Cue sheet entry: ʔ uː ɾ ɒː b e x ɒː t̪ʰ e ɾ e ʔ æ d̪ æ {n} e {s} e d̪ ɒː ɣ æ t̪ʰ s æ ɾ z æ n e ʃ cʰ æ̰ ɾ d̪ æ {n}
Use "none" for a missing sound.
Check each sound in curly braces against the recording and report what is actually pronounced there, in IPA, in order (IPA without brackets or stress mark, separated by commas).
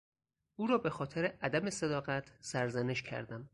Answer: m, s, m